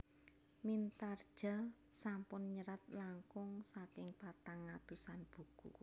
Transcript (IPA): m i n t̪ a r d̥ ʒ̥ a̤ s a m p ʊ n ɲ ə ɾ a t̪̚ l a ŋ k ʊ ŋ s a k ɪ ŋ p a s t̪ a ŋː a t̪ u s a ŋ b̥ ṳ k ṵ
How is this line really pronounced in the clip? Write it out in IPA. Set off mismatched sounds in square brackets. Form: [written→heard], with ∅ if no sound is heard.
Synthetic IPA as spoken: m i n t̪ a r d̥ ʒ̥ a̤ s a m p ʊ n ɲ ə ɾ a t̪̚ l a ŋ k ʊ ŋ s a k ɪ ŋ p a [s→∅] t̪ a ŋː a t̪ u s a [ŋ→n] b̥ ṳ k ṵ